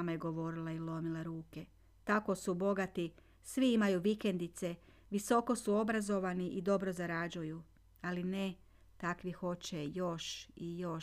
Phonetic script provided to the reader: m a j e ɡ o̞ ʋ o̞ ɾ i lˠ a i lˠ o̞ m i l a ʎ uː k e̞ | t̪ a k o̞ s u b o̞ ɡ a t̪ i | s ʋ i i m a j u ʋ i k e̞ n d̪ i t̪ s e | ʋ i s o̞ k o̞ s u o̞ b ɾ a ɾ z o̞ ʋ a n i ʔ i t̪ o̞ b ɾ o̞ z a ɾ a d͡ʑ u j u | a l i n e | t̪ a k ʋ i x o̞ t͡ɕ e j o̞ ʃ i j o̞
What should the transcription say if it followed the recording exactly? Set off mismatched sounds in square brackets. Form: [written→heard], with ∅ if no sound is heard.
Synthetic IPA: m a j e ɡ o̞ ʋ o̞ ɾ i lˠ a i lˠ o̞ m i l a [ʎ→ɾ] uː k e̞ | t̪ a k o̞ s u b o̞ ɡ a t̪ i | s ʋ i i m a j u ʋ i k e̞ n d̪ i t̪ s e | ʋ i s o̞ k o̞ s u o̞ b ɾ a [ɾ→∅] z o̞ ʋ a n i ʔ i [t̪→d̪] o̞ b ɾ o̞ z a ɾ a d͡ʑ u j u | a l i n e | t̪ a k ʋ i x o̞ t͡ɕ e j o̞ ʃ i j o̞